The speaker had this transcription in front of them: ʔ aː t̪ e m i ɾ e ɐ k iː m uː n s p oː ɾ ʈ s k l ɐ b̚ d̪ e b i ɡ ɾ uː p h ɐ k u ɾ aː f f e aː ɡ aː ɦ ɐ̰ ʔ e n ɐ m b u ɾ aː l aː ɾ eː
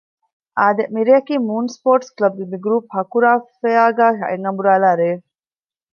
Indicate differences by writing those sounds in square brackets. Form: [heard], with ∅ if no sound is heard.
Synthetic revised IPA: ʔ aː [d̪] e m i ɾ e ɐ k iː m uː n s p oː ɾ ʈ s k l ɐ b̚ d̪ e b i ɡ ɾ uː p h ɐ k u ɾ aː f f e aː ɡ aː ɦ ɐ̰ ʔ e [ŋ] ɐ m b u ɾ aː l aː ɾ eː